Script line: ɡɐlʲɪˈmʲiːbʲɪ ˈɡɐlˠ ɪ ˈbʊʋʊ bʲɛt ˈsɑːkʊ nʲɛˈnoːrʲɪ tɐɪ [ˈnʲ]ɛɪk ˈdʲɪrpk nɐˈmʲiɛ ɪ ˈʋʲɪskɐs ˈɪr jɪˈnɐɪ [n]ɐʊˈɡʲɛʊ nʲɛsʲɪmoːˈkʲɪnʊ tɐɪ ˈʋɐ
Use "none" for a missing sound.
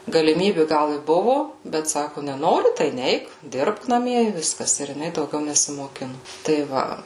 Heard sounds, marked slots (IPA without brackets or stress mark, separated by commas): nʲ, d